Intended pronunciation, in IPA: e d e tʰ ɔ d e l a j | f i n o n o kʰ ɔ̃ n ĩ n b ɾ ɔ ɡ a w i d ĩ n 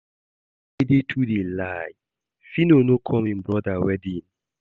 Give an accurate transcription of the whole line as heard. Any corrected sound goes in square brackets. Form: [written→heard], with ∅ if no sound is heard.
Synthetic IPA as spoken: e d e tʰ [ɔ→u] d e l a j | f i n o n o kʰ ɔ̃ [n→m] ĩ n b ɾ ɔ [ɡ→d] a w [i→ɛ] d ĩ n

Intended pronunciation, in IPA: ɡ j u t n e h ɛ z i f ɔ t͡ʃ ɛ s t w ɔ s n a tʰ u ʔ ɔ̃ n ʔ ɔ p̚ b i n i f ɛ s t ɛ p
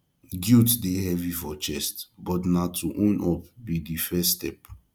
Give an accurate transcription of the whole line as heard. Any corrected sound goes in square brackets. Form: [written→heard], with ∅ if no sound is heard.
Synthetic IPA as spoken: ɡ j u t [n→d] e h ɛ [z→v] i f ɔ t͡ʃ ɛ s t [w→b] ɔ [s→t] n a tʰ u ʔ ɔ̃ n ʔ ɔ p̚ b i [n→d] i f ɛ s t ɛ p

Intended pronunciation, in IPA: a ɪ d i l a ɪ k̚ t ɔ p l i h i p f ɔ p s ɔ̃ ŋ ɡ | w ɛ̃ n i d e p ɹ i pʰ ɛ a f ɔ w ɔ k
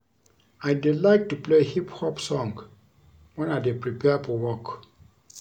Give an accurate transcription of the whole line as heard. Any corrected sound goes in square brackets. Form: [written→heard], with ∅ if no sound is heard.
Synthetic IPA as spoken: a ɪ d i l a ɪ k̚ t [ɔ→u] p l [i→e] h i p [f→h] ɔ p s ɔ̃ ŋ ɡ | w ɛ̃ n [i→a] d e p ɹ i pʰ ɛ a f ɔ w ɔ k

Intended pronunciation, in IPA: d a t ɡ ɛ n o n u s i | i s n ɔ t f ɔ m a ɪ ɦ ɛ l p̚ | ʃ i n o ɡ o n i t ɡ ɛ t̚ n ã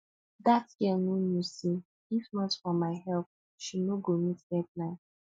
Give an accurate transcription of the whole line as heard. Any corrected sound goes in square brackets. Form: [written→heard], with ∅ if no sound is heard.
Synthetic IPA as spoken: d a t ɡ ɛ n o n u s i | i [s→f] n ɔ t f ɔ m a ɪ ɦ ɛ l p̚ | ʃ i n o ɡ o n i t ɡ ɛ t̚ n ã

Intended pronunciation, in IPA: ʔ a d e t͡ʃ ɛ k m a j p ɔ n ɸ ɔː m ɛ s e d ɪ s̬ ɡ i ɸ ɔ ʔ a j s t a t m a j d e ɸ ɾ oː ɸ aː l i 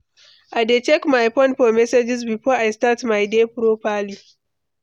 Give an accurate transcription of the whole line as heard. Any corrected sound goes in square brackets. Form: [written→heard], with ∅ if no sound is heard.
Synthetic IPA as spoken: ʔ a d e t͡ʃ ɛ k m a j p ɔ n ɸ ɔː m ɛ s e [d→d͡ʒ] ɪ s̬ [ɡ→b] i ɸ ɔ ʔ a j s t a t m a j d e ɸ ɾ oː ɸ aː l i

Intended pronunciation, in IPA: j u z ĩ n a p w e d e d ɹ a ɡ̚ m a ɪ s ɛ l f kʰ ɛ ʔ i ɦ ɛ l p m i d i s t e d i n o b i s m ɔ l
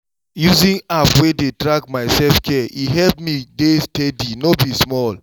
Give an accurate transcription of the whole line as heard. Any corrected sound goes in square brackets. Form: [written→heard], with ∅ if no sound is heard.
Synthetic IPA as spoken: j u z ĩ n a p w e d e d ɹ a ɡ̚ m a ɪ s ɛ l f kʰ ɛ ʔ i ɦ ɛ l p m i d [i→e] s t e d i n o b i s m ɔ l

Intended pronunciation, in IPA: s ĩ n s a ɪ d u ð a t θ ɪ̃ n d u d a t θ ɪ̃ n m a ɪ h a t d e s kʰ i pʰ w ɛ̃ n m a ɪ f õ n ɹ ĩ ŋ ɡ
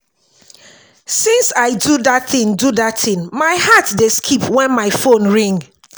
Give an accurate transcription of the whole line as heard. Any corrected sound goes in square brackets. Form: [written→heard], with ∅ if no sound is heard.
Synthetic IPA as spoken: s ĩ n s a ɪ d u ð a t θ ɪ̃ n d u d a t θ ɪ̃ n m a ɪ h a t d e s kʰ i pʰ w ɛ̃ n m a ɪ f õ n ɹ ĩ ŋ ɡ

